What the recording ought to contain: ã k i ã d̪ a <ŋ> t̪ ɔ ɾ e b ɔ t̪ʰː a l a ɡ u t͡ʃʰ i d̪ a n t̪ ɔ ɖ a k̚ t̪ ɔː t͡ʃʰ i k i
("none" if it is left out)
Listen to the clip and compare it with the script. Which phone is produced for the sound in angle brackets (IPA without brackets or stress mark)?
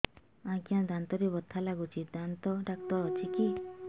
n